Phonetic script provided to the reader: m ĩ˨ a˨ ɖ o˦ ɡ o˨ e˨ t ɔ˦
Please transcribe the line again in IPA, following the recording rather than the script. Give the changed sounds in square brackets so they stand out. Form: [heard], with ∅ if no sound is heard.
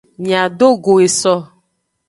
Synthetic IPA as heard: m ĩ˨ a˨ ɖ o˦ ɡ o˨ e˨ [s] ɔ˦

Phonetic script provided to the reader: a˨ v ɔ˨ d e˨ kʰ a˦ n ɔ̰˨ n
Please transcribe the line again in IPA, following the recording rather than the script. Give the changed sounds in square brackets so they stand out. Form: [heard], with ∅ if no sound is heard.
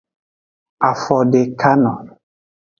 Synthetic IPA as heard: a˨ [f] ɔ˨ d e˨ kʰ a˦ n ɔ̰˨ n

